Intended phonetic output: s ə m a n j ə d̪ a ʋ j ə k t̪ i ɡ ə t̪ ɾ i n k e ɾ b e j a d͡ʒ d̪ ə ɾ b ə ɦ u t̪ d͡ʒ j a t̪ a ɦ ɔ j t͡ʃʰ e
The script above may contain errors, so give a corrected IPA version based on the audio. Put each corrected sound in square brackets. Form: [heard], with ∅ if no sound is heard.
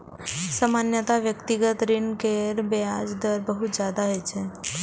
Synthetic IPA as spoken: s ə m a n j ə [t̪] a ʋ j ə k t̪ i ɡ ə t̪ ɾ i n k e ɾ b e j a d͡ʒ d̪ ə ɾ b ə ɦ u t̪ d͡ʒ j a [d̪] a ɦ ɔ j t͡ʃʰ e